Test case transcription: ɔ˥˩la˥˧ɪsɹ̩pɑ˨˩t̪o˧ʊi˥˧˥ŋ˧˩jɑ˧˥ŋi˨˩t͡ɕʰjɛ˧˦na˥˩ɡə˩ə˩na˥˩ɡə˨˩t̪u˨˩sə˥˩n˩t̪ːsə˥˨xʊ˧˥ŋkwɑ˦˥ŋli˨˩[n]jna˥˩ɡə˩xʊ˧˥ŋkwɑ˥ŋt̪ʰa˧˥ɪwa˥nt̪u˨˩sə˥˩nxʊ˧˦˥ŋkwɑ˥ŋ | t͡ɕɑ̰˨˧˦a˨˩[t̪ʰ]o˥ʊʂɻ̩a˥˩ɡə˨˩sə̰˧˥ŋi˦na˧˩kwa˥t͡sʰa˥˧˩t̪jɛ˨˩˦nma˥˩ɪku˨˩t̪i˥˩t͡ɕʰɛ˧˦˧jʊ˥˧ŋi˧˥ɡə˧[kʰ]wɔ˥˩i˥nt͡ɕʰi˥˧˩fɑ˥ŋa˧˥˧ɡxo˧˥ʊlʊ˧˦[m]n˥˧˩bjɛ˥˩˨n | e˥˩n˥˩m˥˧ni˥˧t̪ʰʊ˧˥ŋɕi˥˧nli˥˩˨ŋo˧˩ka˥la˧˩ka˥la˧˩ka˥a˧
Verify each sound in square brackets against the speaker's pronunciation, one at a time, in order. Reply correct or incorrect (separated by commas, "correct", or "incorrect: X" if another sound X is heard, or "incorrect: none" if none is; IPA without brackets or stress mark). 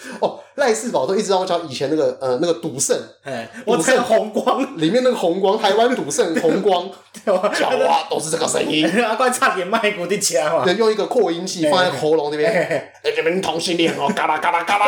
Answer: incorrect: m, incorrect: t̪, correct, incorrect: ŋ